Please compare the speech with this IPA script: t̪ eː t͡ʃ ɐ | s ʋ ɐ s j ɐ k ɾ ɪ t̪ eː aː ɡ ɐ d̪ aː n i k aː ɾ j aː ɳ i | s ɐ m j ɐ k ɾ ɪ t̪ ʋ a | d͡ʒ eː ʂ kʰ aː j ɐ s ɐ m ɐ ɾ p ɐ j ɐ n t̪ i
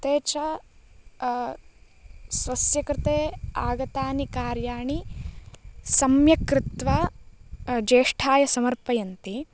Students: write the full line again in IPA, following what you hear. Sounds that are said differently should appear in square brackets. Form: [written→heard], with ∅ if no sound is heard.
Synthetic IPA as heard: t̪ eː t͡ʃ ɐ | s ʋ ɐ s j ɐ k ɾ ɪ t̪ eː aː ɡ ɐ [d̪→t̪] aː n i k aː ɾ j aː ɳ i | s ɐ m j ɐ k ɾ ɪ t̪ ʋ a | d͡ʒ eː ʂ [kʰ→ʈʰ] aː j ɐ s ɐ m ɐ ɾ p ɐ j ɐ n t̪ i